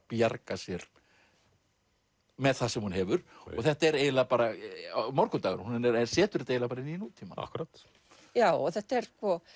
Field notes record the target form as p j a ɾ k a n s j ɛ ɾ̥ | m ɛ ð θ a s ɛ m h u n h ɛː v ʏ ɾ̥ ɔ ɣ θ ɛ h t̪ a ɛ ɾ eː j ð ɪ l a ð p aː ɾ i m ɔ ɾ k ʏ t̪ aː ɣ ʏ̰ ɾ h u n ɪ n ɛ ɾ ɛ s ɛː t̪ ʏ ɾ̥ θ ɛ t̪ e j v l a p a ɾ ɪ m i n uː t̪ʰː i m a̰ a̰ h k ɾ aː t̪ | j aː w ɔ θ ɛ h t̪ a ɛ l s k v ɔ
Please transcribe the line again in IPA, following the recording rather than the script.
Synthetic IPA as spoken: p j a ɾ k a s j ɛ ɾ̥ | m ɛ ð θ a s ɛ m h u n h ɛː v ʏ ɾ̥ ɔ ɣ θ ɛ h t̪ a ɛ ɾ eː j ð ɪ l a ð p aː ɾ a m ɔ ɾ k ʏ t̪ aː ɣ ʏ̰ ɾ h u n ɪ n ɛ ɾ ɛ s ɛː t̪ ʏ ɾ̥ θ ɛ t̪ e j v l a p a ɾ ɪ n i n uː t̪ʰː i m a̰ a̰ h k ɾ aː t̪ | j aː w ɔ θ ɛ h t̪ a ɛ ɾ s k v ɔ